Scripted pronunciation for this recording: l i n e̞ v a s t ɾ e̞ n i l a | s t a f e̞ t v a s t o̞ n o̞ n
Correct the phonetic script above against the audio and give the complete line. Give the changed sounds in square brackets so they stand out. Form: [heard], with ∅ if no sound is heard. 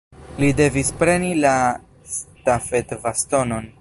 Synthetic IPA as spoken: l i [d] e̞ v [i] s [p] ɾ e̞ n i l a | s t a f e̞ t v a s t o̞ n o̞ n